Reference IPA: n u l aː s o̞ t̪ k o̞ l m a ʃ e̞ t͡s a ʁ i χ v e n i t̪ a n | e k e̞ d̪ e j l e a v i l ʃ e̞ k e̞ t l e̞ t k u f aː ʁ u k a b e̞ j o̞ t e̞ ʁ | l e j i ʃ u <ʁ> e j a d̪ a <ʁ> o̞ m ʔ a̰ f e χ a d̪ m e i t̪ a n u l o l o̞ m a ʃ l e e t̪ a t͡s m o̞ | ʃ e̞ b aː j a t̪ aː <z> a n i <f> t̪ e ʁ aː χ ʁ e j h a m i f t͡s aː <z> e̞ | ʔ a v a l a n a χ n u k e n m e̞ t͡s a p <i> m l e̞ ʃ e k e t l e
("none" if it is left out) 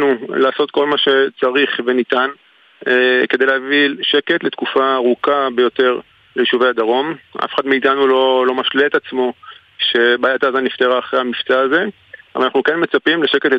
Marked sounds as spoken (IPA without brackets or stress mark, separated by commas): v, ʁ, z, f, z, i